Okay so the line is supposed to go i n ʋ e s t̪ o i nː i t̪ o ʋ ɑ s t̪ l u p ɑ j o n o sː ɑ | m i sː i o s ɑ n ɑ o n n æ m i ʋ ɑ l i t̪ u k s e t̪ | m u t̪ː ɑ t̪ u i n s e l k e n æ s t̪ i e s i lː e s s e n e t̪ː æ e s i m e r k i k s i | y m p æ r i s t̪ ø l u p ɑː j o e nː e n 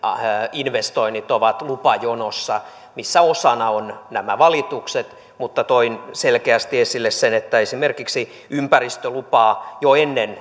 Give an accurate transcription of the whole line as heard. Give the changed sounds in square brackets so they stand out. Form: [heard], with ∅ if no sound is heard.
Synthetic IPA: i n ʋ e s t̪ o i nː i t̪ o ʋ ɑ [∅] t̪ l u p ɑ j o n o sː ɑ | m i sː [æ] o s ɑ n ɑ o n n æ m [æ] ʋ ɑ l i t̪ u k s e t̪ | m u t̪ː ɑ t̪ [o] i n s e l k e [∅] æ s t̪ i e s i lː e s s e n e t̪ː æ e s i m e r k i k s i | y m p æ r i s t̪ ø l u p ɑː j o e nː e n